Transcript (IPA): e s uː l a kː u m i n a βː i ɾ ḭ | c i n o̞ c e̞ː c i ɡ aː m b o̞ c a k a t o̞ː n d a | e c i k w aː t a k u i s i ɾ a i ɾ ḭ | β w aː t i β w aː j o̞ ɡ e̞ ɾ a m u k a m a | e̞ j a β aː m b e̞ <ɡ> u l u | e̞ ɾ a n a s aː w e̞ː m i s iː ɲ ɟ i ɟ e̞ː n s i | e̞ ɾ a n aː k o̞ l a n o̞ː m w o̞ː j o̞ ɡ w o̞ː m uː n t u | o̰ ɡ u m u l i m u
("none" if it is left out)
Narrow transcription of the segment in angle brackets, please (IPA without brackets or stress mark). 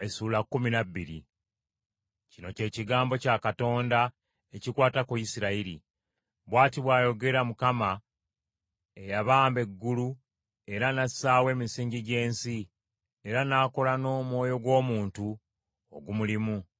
ɡː